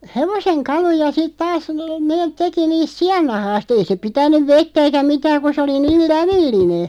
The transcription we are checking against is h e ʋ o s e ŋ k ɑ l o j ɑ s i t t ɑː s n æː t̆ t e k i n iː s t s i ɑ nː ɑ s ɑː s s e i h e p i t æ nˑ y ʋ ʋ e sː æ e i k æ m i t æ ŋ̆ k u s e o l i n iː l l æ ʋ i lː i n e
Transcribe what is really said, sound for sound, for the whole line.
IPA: h e ʋ o s e ŋ k ɑ l u j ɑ s i t t ɑː s n eː t̆ t e k i n iː s t s i ɑ nː ɑ h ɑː s t e i s e p i t æ nˑ y ʋ ʋ e tː æ e i k æ m i t æː ŋ̆ k u s e o l i n iː l l æ ʋ i lː i n e